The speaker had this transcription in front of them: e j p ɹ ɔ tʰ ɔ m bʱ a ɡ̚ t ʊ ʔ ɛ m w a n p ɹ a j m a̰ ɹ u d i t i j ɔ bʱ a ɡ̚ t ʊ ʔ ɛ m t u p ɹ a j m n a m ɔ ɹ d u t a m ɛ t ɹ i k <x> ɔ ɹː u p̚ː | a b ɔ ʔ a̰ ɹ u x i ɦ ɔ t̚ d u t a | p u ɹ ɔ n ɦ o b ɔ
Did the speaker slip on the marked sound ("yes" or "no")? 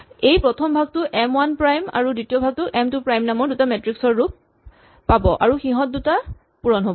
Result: yes